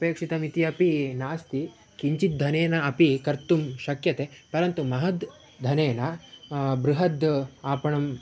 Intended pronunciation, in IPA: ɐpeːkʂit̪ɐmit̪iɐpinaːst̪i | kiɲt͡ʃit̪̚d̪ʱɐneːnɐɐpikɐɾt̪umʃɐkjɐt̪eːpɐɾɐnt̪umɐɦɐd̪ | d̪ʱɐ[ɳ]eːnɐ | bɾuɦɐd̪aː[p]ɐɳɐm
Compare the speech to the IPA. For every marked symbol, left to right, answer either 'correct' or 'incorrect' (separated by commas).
incorrect, correct